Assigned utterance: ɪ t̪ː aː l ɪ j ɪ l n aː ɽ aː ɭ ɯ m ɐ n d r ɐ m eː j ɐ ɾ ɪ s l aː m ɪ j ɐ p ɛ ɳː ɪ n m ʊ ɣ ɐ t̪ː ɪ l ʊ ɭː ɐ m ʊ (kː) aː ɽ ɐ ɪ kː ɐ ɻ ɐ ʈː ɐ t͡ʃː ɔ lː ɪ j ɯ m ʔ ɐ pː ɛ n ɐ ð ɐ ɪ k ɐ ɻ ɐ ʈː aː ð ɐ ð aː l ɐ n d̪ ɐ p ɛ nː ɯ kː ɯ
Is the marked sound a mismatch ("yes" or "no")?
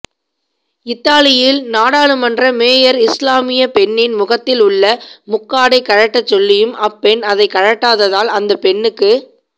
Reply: no